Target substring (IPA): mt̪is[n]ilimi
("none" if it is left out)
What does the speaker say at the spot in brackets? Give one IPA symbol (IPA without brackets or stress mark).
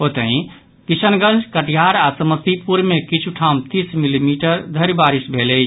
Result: m